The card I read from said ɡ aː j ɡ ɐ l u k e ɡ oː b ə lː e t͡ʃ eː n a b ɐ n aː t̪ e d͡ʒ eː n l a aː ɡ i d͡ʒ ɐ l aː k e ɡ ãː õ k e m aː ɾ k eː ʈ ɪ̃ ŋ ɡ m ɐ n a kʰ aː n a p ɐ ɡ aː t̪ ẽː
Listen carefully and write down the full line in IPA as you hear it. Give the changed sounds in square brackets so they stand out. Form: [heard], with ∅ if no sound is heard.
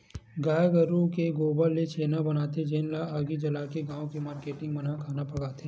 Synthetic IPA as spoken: ɡ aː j ɡ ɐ [ɾ] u k e ɡ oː b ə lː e t͡ʃ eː n a b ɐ n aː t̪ e d͡ʒ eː n l a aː ɡ i d͡ʒ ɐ l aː k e ɡ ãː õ k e m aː ɾ k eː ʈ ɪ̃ ŋ ɡ m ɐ n a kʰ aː n a p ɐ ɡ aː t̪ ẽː